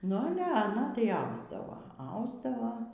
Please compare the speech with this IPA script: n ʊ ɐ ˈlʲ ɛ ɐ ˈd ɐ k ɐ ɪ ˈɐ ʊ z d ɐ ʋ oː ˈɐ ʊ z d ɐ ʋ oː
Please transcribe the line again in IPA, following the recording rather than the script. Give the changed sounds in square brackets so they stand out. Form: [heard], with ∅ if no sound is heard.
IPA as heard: n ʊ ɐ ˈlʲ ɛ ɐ [ˈn] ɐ [t] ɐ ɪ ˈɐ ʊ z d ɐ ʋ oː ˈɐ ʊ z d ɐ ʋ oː